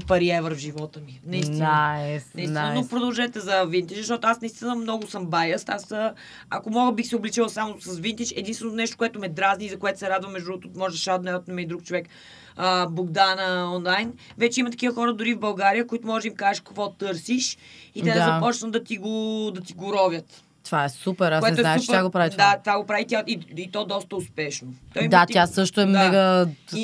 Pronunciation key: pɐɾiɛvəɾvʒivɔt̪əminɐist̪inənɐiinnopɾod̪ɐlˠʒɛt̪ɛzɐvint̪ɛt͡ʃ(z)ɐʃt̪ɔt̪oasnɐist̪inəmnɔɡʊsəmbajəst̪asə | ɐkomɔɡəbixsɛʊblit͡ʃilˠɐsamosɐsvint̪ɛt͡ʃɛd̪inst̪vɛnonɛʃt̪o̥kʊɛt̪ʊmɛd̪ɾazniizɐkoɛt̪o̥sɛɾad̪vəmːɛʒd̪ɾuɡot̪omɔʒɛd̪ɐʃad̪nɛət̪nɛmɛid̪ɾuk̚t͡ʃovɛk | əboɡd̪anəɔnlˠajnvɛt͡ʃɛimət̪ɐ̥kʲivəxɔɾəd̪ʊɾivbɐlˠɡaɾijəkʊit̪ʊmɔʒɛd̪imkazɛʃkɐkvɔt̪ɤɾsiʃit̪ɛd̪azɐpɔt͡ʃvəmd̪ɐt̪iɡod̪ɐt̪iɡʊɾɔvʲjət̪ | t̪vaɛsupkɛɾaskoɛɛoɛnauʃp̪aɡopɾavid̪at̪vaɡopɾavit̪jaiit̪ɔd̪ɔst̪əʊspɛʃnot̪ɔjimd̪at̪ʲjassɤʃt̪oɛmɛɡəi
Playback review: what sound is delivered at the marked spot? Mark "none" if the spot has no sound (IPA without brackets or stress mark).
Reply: z